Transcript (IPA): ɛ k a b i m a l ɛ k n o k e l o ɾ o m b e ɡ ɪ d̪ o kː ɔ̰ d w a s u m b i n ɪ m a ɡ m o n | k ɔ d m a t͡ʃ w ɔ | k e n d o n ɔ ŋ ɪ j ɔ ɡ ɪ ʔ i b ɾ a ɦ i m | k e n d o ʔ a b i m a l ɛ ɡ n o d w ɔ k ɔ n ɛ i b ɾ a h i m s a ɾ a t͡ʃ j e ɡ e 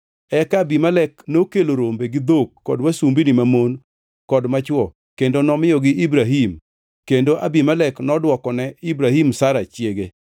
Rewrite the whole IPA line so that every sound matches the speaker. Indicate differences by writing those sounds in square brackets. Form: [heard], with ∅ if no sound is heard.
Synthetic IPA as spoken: ɛ k a b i m a l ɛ k n o k e l o ɾ o m b e ɡ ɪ d̪ o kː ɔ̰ d w a s u m b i n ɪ m a [∅] m o n | k ɔ d m a t͡ʃ w ɔ | k e n d o n ɔ [m] ɪ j ɔ ɡ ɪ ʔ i b ɾ a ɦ i m | k e n d o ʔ a b i m a l ɛ [k] n [ɔ] d w ɔ k ɔ n ɛ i b ɾ a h i m s a ɾ a t͡ʃ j e ɡ e